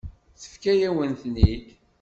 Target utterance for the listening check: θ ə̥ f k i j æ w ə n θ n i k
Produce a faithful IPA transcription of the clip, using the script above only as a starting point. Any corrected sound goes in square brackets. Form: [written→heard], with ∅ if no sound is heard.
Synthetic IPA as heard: θ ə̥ f k [i→æ] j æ w ə n θ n i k